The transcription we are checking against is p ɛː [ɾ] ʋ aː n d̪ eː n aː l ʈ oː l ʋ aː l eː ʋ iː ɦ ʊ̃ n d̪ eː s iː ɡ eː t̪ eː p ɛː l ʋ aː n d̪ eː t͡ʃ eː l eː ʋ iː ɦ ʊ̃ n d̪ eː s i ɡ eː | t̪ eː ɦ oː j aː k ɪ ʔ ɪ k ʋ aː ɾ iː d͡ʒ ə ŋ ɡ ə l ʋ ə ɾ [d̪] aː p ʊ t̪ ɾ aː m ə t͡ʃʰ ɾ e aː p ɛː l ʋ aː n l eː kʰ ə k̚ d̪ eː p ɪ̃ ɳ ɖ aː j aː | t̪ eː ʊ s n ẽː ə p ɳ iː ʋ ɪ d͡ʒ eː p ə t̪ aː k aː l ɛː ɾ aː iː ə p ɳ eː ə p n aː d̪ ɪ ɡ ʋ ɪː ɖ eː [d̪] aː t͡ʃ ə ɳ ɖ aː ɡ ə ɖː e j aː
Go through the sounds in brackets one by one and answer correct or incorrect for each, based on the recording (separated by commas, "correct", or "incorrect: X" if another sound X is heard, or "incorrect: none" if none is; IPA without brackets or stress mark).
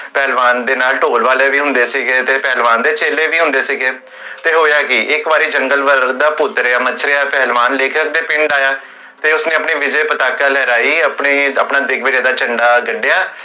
incorrect: l, correct, correct